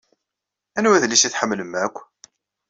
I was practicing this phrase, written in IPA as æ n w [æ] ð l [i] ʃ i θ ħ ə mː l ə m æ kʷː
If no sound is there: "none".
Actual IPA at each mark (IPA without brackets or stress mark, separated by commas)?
æ, i